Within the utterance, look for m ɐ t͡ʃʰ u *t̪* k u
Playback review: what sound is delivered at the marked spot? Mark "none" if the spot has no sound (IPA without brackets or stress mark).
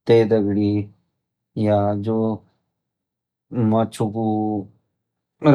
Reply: none